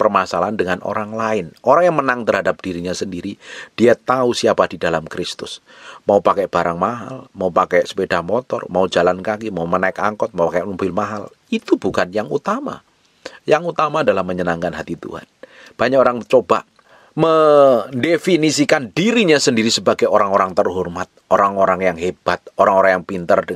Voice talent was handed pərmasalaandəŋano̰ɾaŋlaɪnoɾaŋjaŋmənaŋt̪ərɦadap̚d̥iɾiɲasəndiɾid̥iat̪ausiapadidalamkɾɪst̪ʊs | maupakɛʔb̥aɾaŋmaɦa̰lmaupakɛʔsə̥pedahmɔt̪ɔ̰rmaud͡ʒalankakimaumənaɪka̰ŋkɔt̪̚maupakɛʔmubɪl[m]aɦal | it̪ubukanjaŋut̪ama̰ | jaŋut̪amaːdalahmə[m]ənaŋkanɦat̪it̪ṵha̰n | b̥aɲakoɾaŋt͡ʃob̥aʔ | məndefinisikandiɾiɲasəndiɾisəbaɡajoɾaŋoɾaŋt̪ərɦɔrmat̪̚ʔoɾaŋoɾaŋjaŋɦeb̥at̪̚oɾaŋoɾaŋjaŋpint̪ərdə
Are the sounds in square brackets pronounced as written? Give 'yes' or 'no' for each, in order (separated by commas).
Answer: yes, no